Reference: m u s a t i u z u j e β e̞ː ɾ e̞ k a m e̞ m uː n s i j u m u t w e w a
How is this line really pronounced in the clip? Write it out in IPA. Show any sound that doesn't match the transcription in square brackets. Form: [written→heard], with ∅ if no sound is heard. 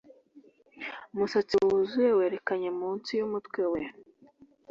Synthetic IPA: m u s a [t→t͡s] i u z u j e [β→w] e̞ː ɾ e̞ k a [m→ɲ] e̞ m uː n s i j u m u t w e w [a→e]

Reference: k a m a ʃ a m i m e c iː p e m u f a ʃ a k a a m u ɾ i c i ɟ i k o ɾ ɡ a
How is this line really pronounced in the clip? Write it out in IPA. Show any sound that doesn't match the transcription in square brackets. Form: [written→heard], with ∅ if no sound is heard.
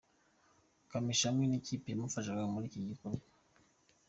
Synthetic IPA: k a m [a→i] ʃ a m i [m→n] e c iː p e m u f a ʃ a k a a m u ɾ i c i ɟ i k o ɾ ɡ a

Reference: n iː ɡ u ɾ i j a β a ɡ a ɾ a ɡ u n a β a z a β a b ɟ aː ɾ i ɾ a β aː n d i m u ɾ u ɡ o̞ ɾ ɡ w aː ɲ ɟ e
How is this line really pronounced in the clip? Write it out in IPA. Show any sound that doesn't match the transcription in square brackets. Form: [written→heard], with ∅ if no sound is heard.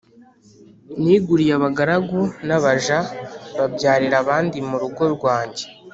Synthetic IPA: n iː ɡ u ɾ i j a β a ɡ a ɾ a ɡ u n a β a [z→ʒ] a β a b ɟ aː ɾ i ɾ a β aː n d i m u ɾ u ɡ o̞ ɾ ɡ w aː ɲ ɟ e

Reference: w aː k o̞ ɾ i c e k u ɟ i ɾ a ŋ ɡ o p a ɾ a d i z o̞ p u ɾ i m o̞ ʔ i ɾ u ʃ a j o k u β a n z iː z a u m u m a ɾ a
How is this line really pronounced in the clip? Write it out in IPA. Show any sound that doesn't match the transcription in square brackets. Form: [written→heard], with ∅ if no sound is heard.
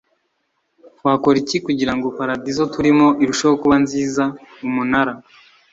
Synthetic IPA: w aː k o̞ ɾ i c [e→i] k u ɟ i ɾ a ŋ ɡ o p a ɾ a d i z o̞ [p→t] u ɾ i m o̞ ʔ i ɾ u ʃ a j o k u β a n z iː z a u m u [m→n] a ɾ a

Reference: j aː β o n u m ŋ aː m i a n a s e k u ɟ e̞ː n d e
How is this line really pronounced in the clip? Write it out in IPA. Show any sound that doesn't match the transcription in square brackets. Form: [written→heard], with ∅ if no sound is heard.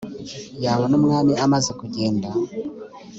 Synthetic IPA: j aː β o n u m ŋ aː m i a [n→m] a [s→z] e k u ɟ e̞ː n d [e→a]

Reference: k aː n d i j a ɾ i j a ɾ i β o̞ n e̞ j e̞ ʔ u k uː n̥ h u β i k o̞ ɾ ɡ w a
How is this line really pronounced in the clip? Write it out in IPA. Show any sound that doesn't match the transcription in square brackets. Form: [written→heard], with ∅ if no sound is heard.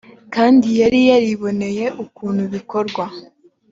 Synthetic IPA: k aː n d i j a ɾ i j a ɾ i β o̞ n e̞ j e̞ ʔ u k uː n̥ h u β i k o̞ ɾ ɡ w a

